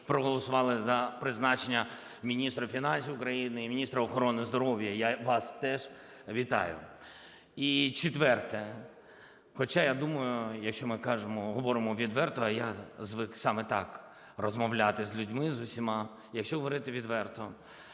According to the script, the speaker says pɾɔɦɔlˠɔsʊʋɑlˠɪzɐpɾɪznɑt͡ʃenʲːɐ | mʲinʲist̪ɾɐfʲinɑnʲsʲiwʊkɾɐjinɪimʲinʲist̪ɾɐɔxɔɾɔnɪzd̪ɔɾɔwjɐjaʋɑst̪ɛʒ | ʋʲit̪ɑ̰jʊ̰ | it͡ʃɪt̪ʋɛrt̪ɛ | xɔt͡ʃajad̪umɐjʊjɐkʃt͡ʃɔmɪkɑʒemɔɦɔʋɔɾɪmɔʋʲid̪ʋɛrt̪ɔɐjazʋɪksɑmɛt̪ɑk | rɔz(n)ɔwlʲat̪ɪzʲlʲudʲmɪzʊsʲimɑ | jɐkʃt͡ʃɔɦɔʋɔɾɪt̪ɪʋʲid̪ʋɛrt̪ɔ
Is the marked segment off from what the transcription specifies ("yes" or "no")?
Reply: yes